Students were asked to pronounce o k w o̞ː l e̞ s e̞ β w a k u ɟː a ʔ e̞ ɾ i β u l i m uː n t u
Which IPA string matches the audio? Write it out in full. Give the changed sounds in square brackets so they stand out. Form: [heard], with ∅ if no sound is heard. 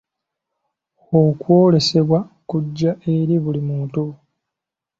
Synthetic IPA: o k w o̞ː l e̞ s e̞ β w a k u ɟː a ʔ e̞ ɾ i β u l i m uː n t u